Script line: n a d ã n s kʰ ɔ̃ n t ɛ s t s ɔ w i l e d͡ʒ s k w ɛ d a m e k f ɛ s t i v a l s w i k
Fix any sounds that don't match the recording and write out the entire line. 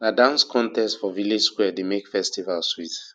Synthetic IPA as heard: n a d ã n s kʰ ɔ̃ n t ɛ s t f ɔ v i l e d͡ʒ s k w ɛ d e m e k f ɛ s t i v a l s w i t